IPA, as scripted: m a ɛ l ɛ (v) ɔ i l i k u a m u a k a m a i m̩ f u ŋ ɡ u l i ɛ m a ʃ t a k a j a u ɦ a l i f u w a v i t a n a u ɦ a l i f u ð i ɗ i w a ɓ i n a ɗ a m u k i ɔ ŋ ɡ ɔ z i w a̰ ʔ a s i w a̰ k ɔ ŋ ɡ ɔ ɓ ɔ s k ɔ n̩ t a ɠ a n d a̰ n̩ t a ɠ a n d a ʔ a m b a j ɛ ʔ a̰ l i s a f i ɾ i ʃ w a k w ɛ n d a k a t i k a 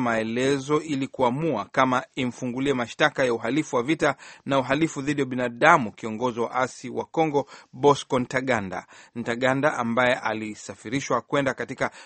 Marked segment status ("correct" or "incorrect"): incorrect